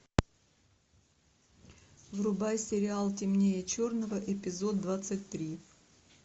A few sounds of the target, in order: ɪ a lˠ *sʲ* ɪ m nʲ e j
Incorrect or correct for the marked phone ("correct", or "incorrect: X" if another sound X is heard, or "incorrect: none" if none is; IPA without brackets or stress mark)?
incorrect: tʲ